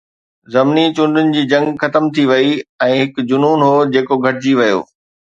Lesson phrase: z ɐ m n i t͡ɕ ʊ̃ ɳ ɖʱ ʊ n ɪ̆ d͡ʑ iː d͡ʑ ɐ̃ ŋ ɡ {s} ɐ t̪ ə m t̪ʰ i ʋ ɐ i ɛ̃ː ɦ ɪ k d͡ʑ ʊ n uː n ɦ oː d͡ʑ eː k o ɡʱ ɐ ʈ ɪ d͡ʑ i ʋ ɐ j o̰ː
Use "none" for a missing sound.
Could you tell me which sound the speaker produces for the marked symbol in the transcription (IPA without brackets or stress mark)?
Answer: x